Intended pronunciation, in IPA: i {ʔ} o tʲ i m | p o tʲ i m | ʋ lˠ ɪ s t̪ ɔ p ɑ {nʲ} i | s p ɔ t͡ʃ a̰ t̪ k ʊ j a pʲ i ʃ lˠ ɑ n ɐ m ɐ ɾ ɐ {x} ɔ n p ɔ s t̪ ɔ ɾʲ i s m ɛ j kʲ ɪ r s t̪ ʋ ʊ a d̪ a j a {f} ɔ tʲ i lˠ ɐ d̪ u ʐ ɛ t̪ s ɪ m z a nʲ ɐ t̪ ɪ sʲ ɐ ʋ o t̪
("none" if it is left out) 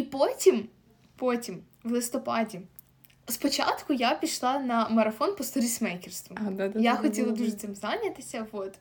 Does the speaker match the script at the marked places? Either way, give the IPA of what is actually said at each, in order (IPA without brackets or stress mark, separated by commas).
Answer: p, dʲ, f, x